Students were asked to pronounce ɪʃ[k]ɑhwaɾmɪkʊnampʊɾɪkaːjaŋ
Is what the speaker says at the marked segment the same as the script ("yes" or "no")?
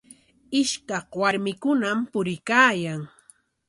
yes